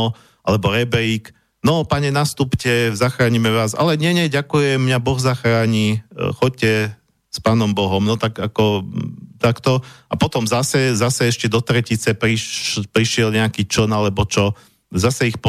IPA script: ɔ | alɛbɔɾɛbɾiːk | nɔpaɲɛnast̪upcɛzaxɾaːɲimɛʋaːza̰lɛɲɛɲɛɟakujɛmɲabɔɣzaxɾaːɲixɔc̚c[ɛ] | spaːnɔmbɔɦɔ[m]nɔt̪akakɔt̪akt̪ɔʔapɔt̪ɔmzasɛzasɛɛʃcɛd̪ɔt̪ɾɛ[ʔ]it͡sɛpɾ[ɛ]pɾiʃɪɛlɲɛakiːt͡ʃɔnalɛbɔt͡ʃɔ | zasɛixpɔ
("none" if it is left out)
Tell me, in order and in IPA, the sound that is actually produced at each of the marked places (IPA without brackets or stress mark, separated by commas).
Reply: ɛ, m, c, i